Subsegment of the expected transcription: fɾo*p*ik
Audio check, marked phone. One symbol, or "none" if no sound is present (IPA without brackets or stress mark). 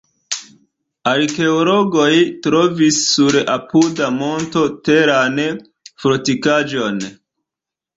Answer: t